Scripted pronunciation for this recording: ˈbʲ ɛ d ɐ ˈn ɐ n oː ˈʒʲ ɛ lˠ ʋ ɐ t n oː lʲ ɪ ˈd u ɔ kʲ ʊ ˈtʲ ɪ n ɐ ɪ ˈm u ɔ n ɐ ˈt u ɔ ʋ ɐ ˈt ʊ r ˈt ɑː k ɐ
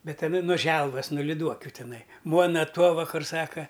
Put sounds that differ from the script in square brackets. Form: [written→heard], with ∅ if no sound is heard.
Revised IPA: ˈbʲ ɛ [d→t] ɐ ˈn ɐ n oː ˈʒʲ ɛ lˠ ʋ ɐ [t→s] n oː lʲ ɪ ˈd u ɔ kʲ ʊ ˈtʲ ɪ n ɐ ɪ ˈm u ɔ n ɐ ˈt u ɔ ʋ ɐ [ˈt→ˈk] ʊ r [ˈt→ˈs] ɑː k ɐ